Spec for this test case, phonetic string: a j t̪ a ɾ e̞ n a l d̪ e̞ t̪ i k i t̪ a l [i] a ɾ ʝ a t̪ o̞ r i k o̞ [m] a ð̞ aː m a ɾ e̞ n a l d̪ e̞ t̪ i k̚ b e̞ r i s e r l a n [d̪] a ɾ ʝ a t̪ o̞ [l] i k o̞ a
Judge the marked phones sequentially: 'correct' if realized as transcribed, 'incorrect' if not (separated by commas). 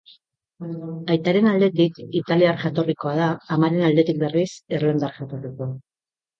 correct, incorrect, correct, incorrect